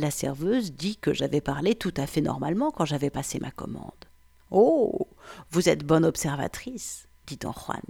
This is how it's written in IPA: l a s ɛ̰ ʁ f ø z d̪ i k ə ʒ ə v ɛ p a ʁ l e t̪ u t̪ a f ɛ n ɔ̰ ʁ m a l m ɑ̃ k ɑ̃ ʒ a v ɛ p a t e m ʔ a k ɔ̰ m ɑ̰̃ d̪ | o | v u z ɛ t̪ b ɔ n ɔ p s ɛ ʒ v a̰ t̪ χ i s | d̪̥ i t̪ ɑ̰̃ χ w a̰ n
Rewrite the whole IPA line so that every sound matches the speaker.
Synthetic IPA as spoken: l a s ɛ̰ ʁ v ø z d̪ i k ə ʒ a v ɛ p a ʁ l e t̪ u t̪ a f ɛ n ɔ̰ ʁ m a l m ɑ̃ k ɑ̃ ʒ a v ɛ p a s e m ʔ a k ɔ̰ m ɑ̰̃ d̪ | o | v u z ɛ t̪ b ɔ n ɔ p s ɛ ʁ v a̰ t̪ χ i s | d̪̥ i t̪ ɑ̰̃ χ w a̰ n